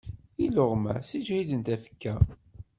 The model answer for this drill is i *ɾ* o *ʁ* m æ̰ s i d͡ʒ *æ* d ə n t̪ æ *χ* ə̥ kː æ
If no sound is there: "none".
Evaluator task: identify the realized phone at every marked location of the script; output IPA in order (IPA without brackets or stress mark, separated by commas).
l, ʁ, i, f